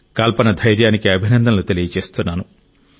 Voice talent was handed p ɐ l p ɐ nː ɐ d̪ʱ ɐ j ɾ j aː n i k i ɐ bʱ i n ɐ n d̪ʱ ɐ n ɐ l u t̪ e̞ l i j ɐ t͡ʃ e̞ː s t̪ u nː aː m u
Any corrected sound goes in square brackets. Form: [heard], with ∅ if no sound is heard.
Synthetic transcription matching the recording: [k] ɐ l p ɐ [n] ɐ d̪ʱ ɐ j ɾ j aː n i k i ɐ bʱ i n ɐ n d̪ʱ ɐ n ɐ l u t̪ e̞ l i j ɐ t͡ʃ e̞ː s t̪ u nː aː [n] u

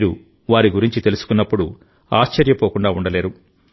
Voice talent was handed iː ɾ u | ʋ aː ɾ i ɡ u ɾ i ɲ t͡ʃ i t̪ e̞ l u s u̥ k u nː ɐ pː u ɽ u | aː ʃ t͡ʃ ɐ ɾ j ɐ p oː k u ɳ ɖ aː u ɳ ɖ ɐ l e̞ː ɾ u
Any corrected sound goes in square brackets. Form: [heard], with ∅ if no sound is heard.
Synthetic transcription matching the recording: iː ɾ u | ʋ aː ɾ i ɡ u ɾ i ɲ t͡ʃ i t̪ e̞ l u s u̥ k u nː ɐ pː u ɽ u | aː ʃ t͡ʃ ɐ ɾ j ɐ p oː k u ɳ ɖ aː u ɳ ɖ ɐ l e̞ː ɾ u

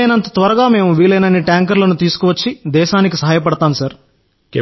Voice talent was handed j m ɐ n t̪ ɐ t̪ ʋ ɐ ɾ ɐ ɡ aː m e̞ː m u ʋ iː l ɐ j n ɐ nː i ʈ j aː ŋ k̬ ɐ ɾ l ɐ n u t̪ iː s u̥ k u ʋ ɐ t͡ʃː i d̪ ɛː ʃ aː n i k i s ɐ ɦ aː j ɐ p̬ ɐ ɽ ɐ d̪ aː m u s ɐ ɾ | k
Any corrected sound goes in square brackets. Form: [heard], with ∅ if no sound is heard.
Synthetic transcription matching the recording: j [n] ɐ n t̪ ɐ t̪ ʋ ɐ ɾ ɐ ɡ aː m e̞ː m u ʋ iː l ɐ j n ɐ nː i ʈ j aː ŋ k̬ ɐ ɾ l ɐ n u t̪ iː s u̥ k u ʋ ɐ t͡ʃː i d̪ ɛː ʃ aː n i k i s ɐ ɦ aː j ɐ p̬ ɐ ɽ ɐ [t̪] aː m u s ɐ ɾ | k

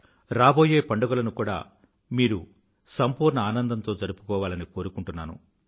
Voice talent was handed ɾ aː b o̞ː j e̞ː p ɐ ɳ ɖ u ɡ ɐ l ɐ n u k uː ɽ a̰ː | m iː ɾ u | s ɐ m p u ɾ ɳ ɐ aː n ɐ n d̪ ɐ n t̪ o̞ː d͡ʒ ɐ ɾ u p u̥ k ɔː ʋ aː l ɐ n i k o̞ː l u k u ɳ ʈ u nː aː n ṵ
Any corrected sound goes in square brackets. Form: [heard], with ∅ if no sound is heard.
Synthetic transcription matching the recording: ɾ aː b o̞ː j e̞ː p ɐ ɳ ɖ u ɡ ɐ l ɐ n u k uː ɽ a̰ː | m iː ɾ u | s ɐ m p [uː] ɾ ɳ ɐ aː n ɐ n d̪ ɐ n t̪ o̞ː d͡ʒ ɐ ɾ u p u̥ k ɔː ʋ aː l ɐ n i k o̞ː [ɾ] u k u ɳ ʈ u nː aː n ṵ

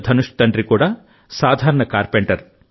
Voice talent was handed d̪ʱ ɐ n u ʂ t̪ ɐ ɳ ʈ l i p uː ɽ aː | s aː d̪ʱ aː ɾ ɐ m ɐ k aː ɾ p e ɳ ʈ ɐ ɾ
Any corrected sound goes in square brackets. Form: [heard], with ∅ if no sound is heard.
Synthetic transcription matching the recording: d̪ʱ ɐ n u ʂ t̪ ɐ ɳ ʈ [ɾ] i [k] uː ɽ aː | s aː d̪ʱ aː ɾ ɐ [ɳ] ɐ k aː ɾ p e ɳ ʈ ɐ ɾ

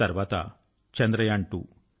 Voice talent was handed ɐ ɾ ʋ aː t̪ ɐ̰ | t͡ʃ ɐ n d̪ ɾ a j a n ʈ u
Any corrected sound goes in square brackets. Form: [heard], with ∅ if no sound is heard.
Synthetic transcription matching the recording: ɐ ɾ ʋ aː t̪ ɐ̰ | t͡ʃ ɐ n d̪ ɾ [ɐ] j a [ɳ] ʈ u

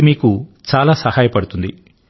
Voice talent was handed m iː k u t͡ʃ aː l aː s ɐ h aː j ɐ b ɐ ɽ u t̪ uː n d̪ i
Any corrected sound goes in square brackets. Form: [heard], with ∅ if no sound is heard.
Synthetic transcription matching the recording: m iː k u t͡ʃ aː l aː s ɐ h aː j ɐ [p] ɐ ɽ u t̪ [u] n d̪ i

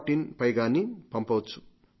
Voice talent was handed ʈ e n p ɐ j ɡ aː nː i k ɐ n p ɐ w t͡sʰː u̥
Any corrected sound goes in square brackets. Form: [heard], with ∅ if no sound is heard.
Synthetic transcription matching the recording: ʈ [i] n p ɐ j ɡ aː [n] i [p] ɐ [m] p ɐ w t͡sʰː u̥

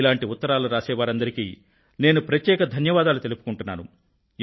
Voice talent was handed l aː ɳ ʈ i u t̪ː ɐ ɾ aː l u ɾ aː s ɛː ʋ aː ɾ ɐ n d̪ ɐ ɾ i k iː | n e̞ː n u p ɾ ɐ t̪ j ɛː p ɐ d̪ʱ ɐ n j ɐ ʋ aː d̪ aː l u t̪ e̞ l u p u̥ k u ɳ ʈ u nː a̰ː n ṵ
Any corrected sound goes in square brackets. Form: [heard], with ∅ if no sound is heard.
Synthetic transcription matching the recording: l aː ɳ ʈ i u t̪ː ɐ ɾ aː l u ɾ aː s ɛː ʋ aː ɾ ɐ n d̪ ɐ ɾ i k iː | n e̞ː n u p ɾ ɐ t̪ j ɛː [k] ɐ d̪ʱ ɐ n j ɐ ʋ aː d̪ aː l u t̪ e̞ l u p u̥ k u ɳ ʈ u nː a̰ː n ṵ

